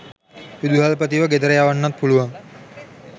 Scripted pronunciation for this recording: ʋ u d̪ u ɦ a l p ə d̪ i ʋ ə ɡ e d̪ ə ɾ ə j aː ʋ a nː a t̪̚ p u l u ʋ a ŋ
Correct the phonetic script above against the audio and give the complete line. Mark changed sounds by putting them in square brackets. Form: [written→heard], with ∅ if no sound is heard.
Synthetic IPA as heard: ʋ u d̪ u ɦ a l p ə [d̪→t̪] i ʋ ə ɡ e d̪ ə ɾ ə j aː ʋ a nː a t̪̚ p u l u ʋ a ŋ